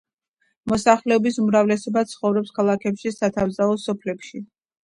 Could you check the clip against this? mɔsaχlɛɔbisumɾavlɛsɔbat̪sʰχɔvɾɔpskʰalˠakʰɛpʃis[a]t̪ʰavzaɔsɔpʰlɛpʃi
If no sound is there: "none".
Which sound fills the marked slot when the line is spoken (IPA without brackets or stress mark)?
a